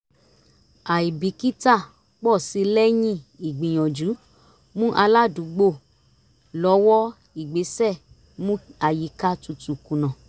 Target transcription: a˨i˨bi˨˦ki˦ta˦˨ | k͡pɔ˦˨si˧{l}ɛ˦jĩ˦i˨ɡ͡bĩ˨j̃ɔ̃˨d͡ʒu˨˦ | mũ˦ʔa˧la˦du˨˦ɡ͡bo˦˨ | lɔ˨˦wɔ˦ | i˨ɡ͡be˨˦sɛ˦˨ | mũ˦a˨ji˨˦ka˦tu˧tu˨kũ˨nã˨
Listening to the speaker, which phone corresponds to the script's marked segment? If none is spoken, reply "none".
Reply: l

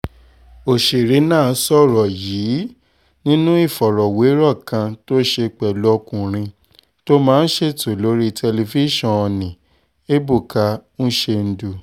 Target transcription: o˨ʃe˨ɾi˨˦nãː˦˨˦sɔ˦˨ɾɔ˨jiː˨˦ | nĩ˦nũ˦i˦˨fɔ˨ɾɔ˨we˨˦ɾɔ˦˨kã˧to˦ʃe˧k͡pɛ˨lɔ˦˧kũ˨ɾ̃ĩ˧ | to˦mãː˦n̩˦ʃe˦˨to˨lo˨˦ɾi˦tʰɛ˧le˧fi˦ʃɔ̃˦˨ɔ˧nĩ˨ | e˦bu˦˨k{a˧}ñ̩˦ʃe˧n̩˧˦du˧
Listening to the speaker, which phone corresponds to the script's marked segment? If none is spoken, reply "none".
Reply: a˧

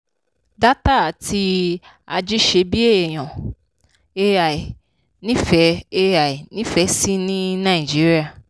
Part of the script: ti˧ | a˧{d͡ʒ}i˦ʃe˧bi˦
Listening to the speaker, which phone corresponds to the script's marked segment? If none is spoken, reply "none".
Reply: d͡ʒ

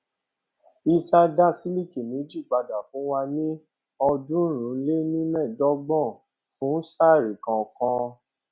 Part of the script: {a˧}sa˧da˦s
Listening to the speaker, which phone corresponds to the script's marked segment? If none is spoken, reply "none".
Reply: i˧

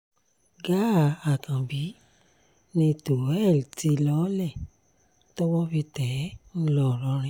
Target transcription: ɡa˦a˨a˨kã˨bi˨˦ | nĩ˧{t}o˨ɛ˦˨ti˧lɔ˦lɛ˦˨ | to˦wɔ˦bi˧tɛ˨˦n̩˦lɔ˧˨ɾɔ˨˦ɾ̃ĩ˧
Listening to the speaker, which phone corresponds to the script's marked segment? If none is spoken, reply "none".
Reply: t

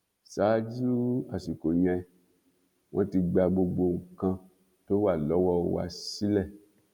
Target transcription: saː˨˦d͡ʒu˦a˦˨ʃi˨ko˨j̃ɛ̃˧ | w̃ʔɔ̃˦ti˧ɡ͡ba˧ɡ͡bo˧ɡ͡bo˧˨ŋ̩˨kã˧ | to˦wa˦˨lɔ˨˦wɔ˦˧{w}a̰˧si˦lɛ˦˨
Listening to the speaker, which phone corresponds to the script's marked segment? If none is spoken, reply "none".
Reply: w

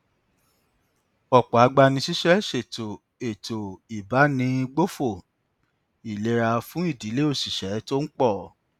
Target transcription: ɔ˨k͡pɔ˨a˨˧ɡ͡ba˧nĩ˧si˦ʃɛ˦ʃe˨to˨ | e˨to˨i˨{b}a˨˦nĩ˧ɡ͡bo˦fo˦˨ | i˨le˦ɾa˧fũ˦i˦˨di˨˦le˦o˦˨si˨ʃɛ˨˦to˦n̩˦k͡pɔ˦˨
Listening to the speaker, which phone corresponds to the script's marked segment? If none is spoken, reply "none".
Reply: b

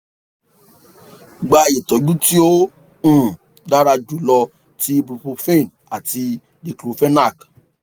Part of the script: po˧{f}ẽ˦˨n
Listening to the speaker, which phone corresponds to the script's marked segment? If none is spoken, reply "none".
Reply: f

